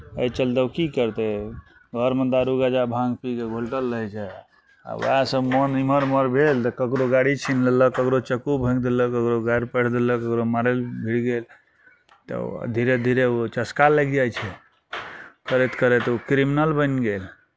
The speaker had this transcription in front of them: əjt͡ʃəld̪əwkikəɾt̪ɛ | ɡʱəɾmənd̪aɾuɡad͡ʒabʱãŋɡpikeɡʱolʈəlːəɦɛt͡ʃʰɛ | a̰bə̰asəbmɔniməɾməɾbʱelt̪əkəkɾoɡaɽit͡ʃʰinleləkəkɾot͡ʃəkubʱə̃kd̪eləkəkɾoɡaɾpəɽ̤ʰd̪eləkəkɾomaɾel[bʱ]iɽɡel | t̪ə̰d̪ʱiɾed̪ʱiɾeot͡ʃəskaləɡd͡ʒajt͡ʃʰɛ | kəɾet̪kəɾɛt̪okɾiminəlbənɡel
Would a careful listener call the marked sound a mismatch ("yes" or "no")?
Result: no